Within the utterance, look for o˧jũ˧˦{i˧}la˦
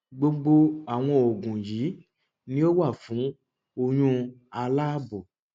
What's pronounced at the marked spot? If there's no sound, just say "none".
a˧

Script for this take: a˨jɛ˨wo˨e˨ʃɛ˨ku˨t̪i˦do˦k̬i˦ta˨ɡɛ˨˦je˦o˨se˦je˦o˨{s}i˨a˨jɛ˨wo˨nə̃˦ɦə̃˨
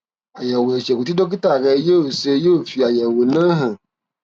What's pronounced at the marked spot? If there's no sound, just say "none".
f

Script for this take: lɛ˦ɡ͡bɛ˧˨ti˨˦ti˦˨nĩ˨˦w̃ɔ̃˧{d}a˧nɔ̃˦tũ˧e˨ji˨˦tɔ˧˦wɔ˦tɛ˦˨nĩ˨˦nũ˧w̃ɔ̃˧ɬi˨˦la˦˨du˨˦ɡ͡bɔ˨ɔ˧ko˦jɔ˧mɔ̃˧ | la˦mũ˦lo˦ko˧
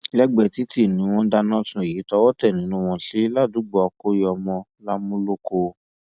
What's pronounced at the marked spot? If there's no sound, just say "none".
d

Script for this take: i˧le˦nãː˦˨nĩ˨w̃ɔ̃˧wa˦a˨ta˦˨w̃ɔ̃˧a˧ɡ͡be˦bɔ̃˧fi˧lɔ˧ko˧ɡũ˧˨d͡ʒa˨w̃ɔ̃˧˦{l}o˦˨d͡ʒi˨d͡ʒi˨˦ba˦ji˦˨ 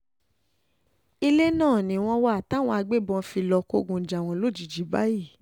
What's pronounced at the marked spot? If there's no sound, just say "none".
l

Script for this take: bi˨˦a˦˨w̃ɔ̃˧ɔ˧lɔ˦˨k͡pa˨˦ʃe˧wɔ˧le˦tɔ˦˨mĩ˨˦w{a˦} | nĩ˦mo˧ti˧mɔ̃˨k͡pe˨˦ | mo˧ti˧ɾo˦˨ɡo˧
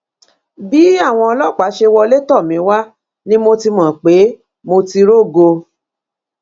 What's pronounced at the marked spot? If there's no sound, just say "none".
a˦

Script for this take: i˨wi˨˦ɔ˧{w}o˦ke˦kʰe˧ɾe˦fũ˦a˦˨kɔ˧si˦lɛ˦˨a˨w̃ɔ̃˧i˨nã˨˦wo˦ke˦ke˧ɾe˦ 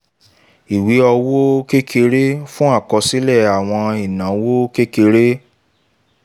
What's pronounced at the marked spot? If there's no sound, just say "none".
w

